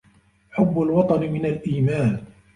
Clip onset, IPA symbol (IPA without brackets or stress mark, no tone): ħ